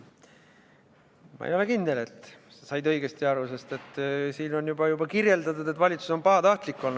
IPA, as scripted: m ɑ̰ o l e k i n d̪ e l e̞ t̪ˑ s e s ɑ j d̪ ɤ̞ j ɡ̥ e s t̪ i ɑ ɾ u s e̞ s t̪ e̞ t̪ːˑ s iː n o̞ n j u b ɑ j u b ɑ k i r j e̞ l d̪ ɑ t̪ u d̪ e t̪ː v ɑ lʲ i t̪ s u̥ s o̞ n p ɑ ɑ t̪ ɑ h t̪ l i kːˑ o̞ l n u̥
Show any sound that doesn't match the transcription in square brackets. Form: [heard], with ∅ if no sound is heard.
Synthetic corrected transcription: m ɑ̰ o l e k i n d̪ e l e̞ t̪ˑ s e s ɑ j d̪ ɤ̞ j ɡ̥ e s t̪ i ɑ ɾ u s e̞ s t̪ e̞ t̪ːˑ s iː n o̞ n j u b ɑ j u b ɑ k i r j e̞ l d̪ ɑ t̪ u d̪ e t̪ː v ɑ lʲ i t̪ s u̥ s o̞ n p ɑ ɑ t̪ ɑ h t̪ l i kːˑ o̞ l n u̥